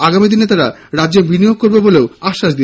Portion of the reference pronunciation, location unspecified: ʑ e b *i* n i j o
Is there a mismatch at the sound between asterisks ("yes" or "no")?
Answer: no